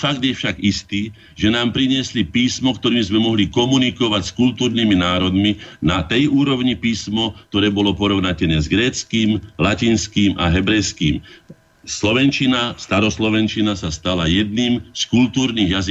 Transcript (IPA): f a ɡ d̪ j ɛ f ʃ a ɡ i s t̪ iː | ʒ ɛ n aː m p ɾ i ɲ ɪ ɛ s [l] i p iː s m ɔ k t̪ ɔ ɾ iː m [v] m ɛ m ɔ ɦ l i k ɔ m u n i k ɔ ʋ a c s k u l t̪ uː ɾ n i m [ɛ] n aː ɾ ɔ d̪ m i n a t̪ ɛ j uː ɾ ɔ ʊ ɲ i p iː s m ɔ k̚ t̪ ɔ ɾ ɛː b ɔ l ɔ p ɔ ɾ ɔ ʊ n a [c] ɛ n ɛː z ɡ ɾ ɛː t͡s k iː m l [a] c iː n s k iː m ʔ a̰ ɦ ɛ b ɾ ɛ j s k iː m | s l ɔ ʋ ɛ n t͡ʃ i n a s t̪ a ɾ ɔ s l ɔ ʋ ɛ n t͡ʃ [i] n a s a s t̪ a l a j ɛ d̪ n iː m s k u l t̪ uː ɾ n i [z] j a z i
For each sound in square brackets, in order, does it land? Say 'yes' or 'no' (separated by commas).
yes, no, no, yes, yes, yes, no